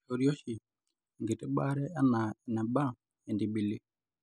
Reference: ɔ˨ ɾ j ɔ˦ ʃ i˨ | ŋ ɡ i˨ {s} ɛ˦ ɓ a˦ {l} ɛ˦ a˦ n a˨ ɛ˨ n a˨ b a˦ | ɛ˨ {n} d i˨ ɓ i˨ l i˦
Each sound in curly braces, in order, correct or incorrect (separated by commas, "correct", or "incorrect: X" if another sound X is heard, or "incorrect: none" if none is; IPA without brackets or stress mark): incorrect: t, incorrect: ɾ, correct